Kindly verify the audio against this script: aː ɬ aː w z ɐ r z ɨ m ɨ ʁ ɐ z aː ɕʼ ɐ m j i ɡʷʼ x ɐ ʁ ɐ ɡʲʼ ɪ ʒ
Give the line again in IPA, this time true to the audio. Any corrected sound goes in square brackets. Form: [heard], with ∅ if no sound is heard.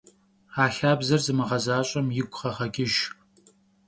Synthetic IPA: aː ɬ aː [b] z ɐ r z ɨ m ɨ ʁ ɐ z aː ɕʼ ɐ m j [ɪ] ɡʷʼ [χ] ɐ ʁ ɐ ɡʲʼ ɪ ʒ